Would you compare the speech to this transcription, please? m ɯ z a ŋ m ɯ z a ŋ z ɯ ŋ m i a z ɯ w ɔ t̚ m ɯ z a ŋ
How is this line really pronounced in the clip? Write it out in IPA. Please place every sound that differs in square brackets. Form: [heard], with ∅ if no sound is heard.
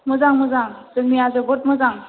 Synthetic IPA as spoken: m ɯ z a ŋ m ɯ z a ŋ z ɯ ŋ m i a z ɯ [b] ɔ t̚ m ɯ z a ŋ